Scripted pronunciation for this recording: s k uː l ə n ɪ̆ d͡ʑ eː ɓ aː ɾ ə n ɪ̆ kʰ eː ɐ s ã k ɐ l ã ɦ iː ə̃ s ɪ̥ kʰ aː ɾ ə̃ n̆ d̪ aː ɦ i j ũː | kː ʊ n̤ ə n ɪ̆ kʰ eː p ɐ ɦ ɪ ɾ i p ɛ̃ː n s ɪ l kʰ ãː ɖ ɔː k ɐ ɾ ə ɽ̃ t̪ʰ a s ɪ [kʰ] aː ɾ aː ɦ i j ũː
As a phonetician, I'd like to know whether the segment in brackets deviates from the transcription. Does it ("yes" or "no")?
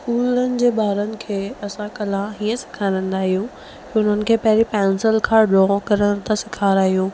no